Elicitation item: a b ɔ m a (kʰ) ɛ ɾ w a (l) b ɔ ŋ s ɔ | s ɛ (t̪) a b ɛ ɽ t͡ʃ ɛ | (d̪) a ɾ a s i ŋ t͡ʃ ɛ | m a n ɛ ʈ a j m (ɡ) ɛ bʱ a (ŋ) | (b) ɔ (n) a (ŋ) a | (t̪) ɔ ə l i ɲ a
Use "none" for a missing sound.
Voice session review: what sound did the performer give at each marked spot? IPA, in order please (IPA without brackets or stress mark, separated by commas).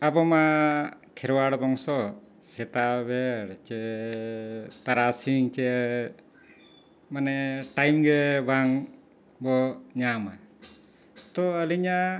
kʰ, ɽ, t̪, t̪, ɡ, ŋ, b, ɲ, m, t̪